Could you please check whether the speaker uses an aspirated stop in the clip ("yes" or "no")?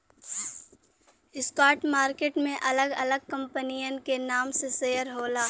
no